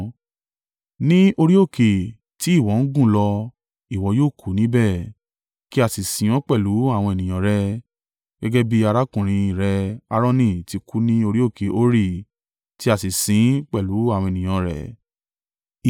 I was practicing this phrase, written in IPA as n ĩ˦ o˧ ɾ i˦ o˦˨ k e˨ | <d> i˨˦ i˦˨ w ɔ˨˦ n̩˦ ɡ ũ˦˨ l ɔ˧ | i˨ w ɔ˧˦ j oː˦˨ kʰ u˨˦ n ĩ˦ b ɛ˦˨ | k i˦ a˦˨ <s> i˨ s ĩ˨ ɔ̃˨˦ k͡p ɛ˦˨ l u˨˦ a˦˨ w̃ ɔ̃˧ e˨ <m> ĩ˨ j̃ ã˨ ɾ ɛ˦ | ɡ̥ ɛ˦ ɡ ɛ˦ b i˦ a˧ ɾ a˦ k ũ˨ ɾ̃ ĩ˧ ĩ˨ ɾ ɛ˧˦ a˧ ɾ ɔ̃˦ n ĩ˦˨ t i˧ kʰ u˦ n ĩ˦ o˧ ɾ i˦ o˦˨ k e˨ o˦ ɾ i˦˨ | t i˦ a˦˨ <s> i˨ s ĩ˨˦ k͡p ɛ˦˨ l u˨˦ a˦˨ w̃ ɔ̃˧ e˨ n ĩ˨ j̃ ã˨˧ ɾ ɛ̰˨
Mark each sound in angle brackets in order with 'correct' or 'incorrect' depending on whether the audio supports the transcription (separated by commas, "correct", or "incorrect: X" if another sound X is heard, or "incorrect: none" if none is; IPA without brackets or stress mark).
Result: incorrect: t, correct, incorrect: n, correct